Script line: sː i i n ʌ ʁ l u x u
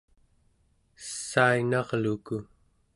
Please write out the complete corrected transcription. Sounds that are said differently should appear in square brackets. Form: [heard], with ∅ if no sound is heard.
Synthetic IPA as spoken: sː [a] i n [ɑ] ʁ l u [k] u